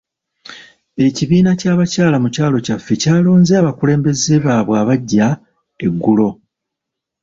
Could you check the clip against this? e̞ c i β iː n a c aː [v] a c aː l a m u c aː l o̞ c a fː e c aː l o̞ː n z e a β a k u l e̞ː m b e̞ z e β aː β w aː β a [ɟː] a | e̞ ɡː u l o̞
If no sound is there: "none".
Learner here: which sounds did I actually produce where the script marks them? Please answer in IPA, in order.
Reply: β, ɟː

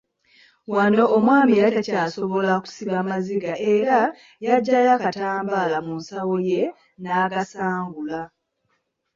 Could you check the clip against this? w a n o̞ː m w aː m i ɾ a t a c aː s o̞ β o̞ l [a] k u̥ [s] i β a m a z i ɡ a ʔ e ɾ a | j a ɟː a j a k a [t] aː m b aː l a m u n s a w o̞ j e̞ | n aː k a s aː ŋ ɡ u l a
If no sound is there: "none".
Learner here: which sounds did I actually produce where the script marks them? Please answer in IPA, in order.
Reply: a, s, t

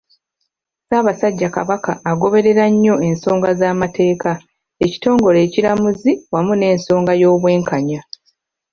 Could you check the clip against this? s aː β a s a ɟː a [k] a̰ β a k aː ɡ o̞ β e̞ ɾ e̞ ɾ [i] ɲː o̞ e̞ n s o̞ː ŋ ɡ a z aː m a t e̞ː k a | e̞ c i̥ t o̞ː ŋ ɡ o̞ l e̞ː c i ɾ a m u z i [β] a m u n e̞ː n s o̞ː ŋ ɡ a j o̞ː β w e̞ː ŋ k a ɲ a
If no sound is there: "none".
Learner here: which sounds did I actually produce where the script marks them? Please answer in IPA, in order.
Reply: k, a, w

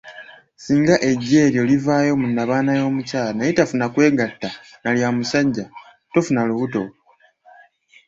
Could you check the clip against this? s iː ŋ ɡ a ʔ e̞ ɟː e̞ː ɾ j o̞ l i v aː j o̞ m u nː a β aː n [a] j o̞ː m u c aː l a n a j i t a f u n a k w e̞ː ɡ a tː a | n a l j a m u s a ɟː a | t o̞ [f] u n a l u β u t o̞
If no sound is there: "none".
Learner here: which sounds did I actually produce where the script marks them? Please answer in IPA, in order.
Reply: a, f

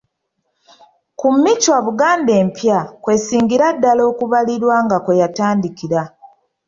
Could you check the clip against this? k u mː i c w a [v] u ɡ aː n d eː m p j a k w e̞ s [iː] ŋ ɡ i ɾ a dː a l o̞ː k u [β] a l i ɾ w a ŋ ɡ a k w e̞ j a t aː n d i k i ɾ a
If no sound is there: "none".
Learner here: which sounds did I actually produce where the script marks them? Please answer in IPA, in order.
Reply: β, iː, β

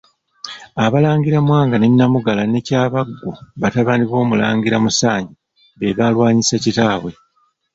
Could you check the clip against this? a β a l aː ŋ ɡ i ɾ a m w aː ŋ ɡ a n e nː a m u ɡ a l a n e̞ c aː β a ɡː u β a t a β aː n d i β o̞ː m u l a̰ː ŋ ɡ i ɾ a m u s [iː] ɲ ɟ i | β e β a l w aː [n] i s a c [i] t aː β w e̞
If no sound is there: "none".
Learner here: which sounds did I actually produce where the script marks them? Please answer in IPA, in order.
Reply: aː, ɲ, i

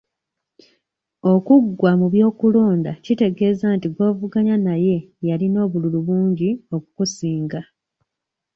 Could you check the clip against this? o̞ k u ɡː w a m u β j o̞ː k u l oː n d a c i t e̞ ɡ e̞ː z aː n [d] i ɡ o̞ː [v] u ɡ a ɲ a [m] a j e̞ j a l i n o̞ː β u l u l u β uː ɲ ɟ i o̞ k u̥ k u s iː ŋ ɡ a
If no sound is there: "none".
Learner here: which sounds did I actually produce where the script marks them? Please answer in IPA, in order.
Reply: t, v, n

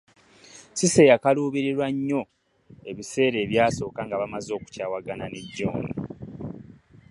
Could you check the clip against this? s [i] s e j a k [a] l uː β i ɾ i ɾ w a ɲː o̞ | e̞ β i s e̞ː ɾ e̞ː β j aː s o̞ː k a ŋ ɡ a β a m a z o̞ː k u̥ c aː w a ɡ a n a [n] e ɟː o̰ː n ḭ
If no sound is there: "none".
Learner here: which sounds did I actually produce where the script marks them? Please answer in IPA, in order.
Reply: i, a, n

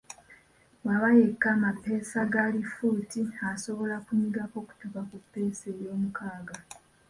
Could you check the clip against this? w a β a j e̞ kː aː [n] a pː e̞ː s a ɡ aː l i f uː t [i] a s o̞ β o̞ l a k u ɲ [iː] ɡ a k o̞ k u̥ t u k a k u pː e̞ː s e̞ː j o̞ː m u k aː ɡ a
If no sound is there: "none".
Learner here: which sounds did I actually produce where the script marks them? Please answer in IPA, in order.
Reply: m, i, i

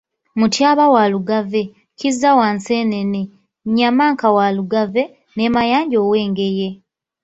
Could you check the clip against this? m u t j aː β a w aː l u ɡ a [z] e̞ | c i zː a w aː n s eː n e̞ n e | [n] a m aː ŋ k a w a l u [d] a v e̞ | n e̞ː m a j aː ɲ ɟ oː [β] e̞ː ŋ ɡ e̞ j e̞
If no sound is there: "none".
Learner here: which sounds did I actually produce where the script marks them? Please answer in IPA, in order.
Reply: v, ɲ, ɡ, w

